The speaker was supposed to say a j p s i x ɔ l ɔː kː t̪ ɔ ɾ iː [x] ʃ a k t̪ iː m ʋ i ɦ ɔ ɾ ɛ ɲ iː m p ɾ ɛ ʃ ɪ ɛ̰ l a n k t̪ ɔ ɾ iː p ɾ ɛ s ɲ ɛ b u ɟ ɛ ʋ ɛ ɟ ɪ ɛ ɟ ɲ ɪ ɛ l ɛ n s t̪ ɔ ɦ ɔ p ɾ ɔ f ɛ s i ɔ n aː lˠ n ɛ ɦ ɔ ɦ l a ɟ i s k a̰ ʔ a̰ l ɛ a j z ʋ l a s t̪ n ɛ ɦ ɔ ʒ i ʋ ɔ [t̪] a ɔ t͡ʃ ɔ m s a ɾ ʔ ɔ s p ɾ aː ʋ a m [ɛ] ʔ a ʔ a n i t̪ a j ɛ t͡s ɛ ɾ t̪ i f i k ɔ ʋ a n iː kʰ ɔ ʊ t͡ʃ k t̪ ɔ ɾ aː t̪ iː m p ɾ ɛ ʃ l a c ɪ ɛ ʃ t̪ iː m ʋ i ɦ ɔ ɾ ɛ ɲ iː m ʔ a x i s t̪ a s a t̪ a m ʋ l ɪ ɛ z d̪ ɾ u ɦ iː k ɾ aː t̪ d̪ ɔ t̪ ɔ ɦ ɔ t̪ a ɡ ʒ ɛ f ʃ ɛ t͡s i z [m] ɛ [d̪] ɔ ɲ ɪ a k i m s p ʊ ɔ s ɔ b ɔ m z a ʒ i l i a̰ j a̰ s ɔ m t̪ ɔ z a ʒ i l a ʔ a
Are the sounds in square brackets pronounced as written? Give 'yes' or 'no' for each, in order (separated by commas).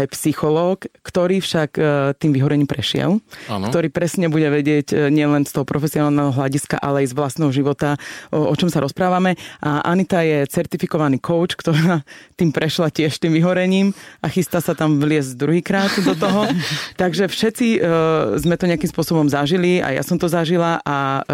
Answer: no, yes, yes, yes, no